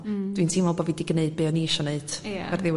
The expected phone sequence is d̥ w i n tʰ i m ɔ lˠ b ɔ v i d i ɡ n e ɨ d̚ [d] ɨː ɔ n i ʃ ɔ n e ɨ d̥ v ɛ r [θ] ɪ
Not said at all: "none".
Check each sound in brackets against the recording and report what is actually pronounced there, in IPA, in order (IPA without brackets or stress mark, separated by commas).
b, ð